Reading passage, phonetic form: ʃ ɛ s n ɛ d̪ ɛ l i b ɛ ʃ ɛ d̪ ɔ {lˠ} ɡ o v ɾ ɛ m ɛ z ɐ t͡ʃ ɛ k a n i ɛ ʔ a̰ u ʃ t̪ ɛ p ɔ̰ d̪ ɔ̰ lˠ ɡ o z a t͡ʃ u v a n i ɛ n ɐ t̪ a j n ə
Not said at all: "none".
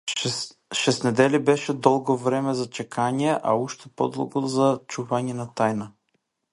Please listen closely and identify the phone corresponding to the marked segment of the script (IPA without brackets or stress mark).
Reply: lˠ